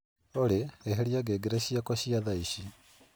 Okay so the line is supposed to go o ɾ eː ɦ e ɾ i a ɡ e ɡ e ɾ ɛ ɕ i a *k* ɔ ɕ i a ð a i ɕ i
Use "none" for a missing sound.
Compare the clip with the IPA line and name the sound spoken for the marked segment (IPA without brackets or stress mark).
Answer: k